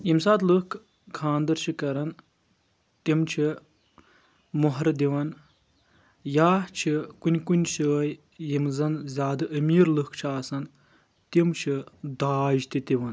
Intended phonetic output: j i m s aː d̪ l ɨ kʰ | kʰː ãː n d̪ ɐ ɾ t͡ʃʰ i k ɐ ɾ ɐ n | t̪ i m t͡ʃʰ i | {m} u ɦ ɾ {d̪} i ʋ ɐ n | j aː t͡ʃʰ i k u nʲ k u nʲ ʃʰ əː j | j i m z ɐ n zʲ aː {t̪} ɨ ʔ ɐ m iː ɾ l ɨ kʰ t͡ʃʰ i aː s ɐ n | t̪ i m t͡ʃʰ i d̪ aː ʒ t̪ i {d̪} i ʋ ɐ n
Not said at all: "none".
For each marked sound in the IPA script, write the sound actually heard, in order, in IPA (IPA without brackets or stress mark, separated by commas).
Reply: m, d̪, d̪, t̪